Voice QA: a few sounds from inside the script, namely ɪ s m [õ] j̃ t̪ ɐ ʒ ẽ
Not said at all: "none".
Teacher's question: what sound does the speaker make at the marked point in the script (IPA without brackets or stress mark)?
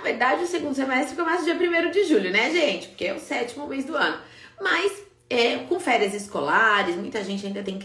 ũ